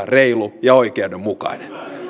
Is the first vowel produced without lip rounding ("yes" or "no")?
yes